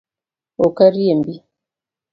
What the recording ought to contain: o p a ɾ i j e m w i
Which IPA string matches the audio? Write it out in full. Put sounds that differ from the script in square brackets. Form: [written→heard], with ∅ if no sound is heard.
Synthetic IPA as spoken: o [p→k] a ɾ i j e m [w→b] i